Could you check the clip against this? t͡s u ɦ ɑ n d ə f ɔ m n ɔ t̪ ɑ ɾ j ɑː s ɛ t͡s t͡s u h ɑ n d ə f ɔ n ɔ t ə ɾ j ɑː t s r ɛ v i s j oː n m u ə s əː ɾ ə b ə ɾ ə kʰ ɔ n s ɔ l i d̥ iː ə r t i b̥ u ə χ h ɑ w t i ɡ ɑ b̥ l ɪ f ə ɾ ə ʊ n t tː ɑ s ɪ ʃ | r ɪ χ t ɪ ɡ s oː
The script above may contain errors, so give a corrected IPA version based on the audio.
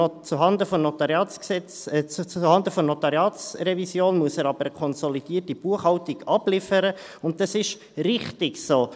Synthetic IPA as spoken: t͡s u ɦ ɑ n d ə f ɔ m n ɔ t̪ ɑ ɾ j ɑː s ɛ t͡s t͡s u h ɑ n d ə f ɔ n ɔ t ɑ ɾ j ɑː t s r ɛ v i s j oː n m u ə s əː ɾ ɑ b ə ɾ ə kʰ ɔ n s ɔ l i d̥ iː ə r t i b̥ u ə χ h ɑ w t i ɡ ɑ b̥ l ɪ f ə ɾ ə ʊ n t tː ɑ s ɪ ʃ | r ɪ χ t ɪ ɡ s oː